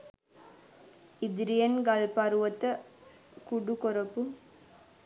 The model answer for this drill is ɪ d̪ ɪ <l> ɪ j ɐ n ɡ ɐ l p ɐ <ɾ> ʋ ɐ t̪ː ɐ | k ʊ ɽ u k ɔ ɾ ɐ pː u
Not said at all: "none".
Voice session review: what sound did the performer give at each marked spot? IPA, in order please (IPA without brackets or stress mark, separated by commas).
ɾ, ɾ